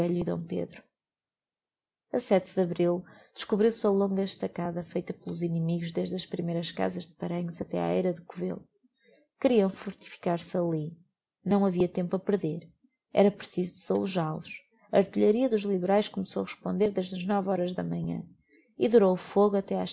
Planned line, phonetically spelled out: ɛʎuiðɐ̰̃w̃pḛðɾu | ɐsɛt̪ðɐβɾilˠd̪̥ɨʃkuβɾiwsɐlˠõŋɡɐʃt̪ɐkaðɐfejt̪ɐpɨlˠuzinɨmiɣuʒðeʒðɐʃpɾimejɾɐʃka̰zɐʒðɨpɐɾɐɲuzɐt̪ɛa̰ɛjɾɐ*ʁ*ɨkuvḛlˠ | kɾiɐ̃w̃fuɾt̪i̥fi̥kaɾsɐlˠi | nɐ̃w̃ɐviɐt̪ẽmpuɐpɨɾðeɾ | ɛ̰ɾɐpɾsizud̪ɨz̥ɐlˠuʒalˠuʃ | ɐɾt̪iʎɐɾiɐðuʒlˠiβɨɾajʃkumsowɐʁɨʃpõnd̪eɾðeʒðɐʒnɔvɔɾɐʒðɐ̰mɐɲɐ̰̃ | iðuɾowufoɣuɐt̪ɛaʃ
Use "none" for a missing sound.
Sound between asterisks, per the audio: ð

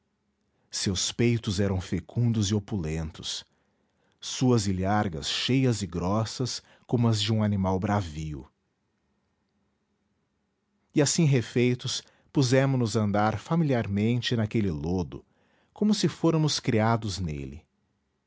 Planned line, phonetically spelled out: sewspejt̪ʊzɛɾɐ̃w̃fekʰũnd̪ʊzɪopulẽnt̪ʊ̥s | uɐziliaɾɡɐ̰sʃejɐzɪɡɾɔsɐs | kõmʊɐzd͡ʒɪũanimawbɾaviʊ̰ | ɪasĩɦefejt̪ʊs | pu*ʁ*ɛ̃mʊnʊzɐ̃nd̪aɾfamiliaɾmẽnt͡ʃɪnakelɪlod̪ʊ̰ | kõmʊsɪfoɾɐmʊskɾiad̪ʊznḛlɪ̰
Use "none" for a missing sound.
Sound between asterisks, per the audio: z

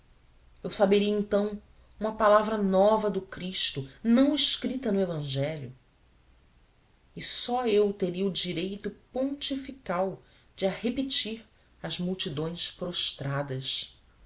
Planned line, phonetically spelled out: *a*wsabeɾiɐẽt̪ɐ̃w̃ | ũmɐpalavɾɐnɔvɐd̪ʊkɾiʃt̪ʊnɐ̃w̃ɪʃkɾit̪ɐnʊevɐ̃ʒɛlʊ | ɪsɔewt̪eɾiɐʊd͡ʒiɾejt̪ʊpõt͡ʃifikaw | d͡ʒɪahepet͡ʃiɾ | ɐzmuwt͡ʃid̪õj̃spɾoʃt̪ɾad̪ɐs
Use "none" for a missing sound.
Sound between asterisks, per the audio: e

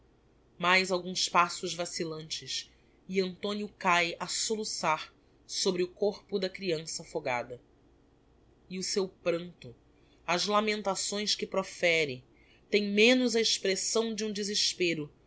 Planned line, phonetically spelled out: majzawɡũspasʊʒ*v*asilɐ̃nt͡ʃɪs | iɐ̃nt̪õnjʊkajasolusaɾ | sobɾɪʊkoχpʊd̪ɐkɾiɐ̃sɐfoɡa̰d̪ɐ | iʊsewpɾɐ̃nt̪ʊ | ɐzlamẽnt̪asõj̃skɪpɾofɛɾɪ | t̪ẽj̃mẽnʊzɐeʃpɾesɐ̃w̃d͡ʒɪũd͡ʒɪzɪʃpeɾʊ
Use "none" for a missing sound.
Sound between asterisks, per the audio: v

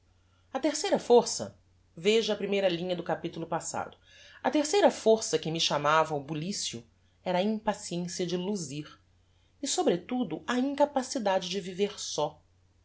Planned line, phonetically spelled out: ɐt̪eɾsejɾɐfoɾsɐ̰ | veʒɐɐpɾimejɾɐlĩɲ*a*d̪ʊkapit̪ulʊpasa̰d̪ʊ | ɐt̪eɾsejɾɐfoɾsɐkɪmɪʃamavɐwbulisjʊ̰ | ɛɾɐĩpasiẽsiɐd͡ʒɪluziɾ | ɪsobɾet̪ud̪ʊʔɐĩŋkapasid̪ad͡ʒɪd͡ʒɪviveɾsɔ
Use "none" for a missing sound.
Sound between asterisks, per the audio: ɐ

